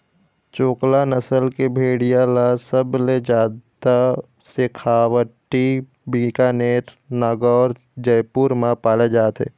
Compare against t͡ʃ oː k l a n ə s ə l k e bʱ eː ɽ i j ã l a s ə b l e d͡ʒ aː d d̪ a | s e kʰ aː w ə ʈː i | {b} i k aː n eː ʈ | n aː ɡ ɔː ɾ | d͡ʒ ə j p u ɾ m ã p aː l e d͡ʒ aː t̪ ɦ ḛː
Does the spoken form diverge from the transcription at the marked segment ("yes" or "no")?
no